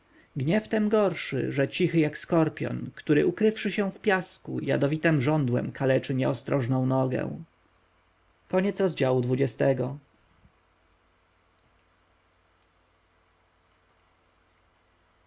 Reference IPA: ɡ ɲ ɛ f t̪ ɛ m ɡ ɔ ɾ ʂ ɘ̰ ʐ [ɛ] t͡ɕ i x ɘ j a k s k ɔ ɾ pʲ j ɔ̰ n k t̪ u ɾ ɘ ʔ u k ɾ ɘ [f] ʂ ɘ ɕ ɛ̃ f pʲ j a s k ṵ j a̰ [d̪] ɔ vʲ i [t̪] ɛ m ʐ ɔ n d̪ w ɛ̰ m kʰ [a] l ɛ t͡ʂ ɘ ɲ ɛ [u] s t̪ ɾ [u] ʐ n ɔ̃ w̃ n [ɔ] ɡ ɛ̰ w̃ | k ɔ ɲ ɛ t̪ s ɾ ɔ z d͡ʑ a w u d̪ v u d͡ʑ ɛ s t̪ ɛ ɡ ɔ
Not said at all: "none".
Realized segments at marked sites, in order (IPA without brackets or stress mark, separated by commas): ɛ, f, d̪, t̪, a, ɔ, ɔ, ɔ